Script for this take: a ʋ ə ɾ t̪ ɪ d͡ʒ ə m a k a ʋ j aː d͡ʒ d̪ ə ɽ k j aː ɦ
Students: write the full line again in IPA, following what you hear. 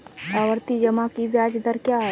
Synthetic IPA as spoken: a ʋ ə ɾ t̪ i d͡ʒ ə m a k i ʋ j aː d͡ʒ d̪ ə ɾ k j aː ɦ